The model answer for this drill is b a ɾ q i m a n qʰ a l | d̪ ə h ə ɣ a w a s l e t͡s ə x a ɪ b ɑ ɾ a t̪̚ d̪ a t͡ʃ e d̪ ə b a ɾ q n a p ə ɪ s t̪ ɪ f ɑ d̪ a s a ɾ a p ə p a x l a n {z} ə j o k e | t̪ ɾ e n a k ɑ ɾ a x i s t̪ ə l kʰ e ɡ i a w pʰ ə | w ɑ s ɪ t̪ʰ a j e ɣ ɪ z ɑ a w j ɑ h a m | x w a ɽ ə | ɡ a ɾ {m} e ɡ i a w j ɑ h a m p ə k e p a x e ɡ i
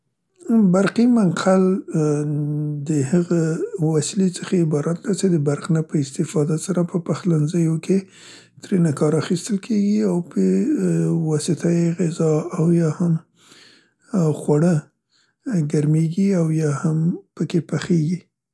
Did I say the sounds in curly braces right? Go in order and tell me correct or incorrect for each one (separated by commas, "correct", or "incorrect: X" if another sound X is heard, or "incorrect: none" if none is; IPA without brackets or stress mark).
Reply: correct, correct